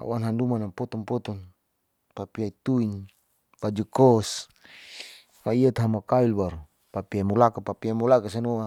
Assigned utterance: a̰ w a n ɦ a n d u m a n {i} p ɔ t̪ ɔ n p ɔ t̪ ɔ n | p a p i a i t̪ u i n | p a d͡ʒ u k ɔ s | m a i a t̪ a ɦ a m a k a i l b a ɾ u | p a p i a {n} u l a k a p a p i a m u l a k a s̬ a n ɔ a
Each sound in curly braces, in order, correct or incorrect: incorrect: a, incorrect: m

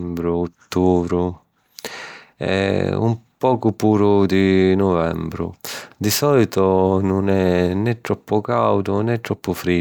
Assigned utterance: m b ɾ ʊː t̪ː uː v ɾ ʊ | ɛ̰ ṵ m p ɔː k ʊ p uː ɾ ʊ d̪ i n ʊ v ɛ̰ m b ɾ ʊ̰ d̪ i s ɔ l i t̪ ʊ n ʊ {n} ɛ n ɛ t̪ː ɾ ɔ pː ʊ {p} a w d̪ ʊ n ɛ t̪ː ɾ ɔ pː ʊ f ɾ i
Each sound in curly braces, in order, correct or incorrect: correct, incorrect: k

